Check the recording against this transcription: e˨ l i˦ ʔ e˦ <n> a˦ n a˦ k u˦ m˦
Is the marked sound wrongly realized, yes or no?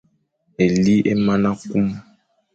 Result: yes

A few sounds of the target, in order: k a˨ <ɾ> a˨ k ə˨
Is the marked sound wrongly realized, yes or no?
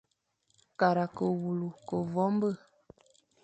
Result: no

